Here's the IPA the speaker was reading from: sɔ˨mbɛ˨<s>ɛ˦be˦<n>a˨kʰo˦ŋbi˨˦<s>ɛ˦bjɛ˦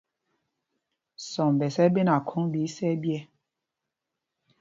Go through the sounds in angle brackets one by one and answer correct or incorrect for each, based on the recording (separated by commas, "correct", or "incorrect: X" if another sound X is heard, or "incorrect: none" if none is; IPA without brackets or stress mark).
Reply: correct, correct, correct